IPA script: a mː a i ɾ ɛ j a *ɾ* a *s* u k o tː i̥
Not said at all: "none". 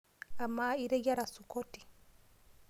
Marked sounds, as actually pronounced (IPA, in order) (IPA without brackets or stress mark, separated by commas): ɾ, s